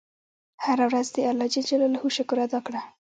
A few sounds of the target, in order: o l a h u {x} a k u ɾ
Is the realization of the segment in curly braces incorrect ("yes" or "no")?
yes